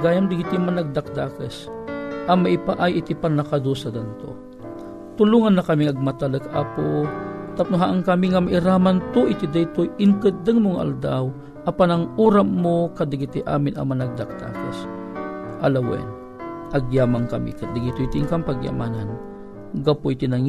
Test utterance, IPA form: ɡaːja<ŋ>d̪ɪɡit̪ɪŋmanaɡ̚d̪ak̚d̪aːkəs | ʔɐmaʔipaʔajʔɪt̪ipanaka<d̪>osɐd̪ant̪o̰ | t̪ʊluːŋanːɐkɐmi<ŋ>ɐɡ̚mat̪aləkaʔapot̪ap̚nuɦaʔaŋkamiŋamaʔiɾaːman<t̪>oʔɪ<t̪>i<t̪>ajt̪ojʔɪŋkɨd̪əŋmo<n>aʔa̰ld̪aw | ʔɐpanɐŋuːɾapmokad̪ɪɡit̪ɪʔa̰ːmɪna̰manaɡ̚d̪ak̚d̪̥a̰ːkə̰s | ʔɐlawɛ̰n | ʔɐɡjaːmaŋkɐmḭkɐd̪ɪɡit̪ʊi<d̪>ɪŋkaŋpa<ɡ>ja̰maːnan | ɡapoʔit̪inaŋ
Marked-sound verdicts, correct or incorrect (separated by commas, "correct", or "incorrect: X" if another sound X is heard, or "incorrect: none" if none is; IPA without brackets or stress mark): incorrect: m, correct, correct, correct, correct, incorrect: d̪, incorrect: ŋ, incorrect: t̪, correct